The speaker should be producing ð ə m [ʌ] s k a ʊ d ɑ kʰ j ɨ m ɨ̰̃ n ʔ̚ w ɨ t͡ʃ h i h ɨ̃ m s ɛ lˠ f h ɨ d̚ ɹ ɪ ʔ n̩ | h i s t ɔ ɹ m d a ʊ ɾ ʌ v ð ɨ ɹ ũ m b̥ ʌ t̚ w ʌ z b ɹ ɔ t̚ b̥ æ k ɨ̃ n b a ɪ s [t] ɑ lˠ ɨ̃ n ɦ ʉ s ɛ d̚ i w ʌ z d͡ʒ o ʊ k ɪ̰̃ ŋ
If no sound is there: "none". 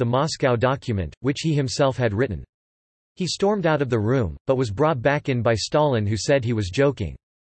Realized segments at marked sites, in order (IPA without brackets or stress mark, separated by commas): ɑ, t